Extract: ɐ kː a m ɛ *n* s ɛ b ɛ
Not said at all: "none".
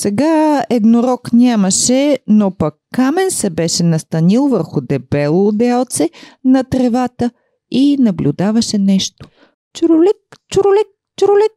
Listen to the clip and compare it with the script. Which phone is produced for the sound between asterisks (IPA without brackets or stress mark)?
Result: n